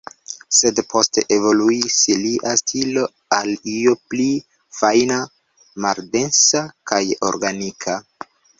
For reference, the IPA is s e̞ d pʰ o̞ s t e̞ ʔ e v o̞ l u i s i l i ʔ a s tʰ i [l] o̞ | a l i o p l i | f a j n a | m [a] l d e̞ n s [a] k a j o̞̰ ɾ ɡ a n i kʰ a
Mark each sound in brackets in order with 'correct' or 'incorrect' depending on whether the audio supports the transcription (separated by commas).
correct, correct, correct